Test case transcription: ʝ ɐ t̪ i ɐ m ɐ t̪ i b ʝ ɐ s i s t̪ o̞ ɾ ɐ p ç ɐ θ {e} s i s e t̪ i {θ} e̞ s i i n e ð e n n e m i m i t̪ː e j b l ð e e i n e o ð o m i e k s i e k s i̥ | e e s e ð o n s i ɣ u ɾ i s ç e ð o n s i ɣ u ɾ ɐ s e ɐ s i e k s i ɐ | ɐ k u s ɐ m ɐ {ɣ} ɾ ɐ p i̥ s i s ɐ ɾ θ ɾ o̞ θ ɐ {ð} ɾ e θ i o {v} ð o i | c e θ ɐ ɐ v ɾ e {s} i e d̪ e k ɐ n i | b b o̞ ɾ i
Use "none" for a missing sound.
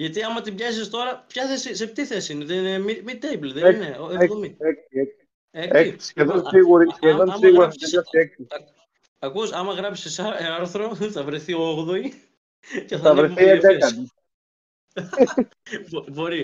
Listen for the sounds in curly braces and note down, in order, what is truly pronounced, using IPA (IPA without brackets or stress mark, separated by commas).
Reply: e, θ, ɣ, v, ɣ, θ